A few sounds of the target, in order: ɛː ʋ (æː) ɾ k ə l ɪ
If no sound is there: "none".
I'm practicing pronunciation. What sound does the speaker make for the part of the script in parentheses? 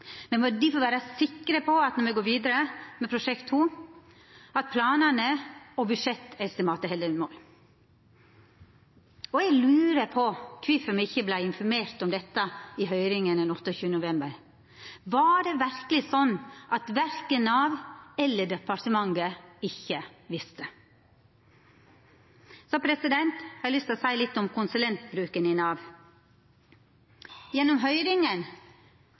æ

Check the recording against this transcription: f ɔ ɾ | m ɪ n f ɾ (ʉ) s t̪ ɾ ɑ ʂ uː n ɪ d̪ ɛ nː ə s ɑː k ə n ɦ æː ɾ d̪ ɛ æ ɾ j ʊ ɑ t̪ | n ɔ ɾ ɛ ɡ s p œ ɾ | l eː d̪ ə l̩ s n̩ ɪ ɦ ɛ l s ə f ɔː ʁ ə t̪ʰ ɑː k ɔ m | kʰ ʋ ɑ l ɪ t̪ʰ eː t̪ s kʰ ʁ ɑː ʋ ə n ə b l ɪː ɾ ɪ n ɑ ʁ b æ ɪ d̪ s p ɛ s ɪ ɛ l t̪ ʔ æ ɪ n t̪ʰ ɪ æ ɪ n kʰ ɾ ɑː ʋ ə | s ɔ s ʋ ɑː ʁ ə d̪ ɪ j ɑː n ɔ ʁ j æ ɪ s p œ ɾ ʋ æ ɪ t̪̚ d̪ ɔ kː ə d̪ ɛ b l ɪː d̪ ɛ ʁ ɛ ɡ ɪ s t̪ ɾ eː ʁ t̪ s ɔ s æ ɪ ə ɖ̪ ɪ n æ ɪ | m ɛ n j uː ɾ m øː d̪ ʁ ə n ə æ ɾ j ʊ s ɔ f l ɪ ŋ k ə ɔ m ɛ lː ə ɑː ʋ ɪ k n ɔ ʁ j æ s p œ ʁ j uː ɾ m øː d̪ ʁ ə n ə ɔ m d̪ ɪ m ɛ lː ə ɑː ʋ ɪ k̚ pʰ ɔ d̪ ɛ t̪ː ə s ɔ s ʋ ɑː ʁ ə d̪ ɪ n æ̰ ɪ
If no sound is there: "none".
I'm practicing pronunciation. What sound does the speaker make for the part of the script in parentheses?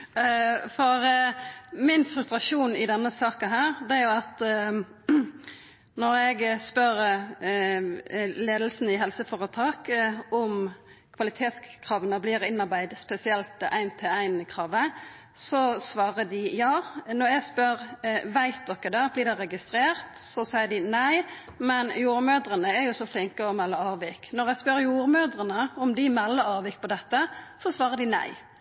ʉ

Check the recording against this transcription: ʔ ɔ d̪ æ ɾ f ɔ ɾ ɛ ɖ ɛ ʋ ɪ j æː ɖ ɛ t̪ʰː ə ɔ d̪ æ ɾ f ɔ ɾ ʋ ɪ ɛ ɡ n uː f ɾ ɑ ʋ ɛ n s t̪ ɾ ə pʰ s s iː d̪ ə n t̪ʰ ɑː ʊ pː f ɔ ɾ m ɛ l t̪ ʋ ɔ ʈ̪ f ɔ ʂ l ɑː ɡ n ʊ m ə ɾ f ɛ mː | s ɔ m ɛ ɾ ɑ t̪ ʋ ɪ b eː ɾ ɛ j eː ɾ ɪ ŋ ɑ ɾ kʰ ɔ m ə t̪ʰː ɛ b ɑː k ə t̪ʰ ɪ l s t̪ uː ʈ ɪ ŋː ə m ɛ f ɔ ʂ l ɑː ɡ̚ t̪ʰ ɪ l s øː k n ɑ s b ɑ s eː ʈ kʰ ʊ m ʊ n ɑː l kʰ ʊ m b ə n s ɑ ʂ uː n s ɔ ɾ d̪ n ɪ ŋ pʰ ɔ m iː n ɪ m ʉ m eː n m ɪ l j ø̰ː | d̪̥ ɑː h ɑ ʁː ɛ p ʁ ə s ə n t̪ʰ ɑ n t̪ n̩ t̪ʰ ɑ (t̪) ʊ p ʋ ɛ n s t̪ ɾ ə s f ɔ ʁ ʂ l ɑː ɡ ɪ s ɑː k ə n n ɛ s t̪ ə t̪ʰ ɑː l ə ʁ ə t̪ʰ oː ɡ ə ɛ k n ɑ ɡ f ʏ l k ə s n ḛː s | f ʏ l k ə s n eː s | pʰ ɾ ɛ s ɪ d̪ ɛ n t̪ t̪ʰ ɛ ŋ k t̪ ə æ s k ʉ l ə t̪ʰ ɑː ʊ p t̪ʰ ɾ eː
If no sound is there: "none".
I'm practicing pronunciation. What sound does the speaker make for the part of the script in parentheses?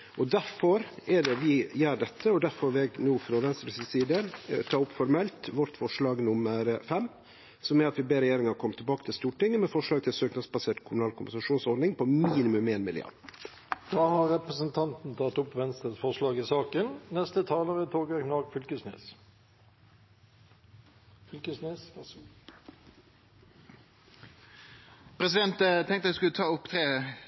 t̪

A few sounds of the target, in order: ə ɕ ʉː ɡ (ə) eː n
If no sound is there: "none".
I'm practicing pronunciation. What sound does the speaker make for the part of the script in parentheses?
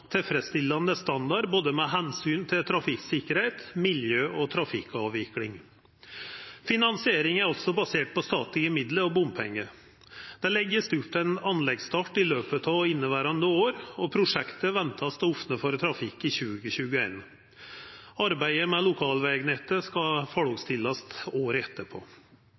ə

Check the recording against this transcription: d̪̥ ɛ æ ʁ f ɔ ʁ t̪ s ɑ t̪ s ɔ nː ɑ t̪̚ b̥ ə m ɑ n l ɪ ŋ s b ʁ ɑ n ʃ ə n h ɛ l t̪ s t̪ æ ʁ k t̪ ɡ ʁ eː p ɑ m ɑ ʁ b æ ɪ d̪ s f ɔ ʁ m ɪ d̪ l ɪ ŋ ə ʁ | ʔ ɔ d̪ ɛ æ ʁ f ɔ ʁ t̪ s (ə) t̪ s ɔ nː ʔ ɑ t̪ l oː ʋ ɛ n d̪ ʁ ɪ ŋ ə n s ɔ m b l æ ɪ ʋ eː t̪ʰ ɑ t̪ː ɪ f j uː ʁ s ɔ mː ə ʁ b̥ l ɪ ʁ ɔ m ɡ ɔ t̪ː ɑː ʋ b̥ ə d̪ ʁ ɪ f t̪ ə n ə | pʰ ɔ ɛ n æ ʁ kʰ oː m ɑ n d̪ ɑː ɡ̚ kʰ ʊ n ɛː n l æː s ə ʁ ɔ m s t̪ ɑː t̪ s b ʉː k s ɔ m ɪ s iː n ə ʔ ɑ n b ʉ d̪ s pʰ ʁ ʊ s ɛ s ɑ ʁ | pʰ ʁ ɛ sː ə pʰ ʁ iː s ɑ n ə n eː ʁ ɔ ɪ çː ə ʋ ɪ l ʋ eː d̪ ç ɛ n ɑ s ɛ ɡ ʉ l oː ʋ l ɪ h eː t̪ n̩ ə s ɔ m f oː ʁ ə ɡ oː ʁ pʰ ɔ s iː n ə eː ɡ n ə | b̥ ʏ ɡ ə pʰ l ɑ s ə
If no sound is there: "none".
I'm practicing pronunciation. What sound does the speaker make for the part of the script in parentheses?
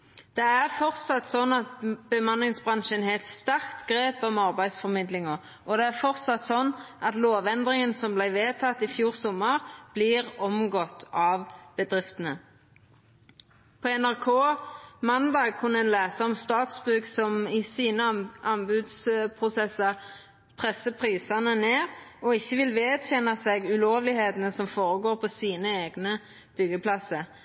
ɑ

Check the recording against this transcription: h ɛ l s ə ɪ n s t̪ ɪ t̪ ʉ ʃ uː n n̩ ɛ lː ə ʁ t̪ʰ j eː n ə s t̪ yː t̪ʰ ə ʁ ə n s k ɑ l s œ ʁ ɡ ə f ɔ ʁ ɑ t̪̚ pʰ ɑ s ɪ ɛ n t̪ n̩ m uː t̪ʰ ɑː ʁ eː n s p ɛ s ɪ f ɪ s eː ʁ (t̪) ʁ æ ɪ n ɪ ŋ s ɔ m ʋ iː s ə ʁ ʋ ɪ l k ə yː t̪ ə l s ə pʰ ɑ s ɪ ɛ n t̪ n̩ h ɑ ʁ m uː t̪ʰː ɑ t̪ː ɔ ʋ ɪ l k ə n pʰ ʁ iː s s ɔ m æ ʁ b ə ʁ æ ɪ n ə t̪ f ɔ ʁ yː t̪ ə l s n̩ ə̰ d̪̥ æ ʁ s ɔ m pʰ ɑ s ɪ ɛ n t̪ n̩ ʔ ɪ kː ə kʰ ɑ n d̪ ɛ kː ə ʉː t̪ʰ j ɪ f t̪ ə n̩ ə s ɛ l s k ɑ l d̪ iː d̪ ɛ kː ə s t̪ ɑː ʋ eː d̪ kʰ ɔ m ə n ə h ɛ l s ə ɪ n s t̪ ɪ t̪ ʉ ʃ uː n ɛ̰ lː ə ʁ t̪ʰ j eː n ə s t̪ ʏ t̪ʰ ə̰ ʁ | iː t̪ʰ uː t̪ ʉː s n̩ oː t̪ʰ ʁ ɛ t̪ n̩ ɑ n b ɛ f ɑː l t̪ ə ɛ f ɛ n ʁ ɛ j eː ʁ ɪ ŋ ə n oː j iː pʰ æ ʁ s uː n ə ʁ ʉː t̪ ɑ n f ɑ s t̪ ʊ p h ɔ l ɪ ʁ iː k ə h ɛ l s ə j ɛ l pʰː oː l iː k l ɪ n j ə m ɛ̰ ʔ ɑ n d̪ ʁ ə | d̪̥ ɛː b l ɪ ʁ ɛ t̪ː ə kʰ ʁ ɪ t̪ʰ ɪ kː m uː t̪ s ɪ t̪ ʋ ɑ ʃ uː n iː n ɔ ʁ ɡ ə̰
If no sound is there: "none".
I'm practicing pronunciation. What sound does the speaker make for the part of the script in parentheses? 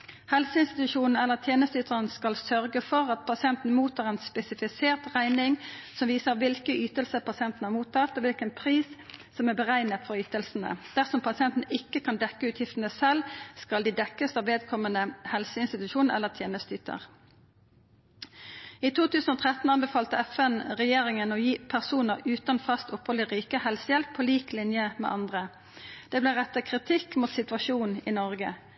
t̪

